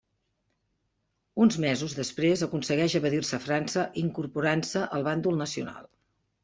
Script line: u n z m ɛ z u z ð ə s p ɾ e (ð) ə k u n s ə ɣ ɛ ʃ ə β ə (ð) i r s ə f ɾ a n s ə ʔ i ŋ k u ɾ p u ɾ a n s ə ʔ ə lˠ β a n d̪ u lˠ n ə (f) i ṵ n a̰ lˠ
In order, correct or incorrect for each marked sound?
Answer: incorrect: z, correct, incorrect: s

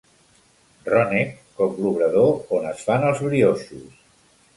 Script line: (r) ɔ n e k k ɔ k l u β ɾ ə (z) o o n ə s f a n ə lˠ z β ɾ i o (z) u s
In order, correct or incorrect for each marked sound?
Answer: correct, incorrect: ð, incorrect: s

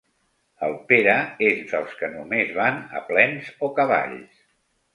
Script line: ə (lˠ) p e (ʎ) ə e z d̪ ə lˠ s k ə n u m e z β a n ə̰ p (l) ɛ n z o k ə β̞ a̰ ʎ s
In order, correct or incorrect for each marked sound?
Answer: correct, incorrect: ɾ, correct

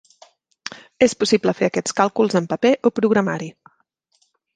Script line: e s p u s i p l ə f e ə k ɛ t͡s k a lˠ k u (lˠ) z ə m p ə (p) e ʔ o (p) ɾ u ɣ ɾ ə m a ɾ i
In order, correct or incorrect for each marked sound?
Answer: correct, correct, correct

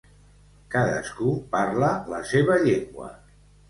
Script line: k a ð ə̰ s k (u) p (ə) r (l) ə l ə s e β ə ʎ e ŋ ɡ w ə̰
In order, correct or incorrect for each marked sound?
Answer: correct, incorrect: a, correct

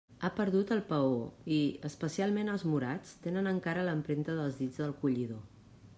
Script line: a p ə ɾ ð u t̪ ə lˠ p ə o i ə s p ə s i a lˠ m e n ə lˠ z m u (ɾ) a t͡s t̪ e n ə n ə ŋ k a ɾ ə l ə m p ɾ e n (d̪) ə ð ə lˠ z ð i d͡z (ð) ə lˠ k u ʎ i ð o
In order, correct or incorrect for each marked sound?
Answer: correct, incorrect: t̪, correct

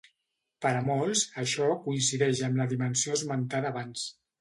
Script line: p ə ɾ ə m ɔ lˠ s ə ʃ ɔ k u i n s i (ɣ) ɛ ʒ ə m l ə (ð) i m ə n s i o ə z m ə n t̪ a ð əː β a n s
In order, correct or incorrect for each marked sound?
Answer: incorrect: ð, correct

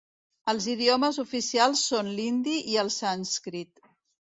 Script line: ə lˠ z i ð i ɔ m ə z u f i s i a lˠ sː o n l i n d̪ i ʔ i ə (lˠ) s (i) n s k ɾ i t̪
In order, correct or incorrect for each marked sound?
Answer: correct, incorrect: a

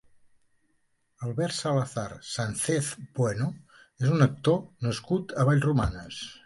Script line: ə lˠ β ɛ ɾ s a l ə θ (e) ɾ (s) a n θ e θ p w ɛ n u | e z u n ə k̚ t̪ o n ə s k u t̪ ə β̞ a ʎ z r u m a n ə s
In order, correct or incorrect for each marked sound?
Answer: incorrect: a, correct

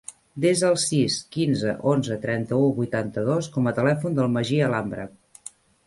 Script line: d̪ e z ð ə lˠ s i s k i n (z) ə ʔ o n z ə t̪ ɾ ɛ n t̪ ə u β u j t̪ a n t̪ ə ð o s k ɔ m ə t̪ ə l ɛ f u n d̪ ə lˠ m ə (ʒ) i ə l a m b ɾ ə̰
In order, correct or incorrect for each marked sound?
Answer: correct, correct

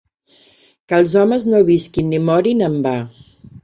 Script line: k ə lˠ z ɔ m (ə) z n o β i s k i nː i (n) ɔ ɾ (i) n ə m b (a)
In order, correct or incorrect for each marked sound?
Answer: correct, incorrect: m, correct, correct

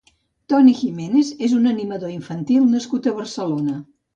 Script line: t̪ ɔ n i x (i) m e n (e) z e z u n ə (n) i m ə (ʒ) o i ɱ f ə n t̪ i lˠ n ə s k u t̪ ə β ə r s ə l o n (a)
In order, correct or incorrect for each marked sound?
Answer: correct, correct, correct, incorrect: ð, incorrect: ə

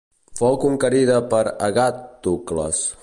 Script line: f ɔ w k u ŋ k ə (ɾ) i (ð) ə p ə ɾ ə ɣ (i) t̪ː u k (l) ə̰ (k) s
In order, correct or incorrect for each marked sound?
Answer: correct, correct, incorrect: a, correct, incorrect: none

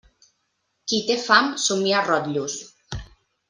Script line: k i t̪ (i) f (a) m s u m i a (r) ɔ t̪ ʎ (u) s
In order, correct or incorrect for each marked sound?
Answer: incorrect: e, correct, correct, correct

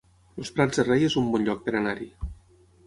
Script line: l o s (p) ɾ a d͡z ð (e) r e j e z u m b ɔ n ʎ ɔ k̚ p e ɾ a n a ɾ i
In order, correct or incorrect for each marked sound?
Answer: correct, correct

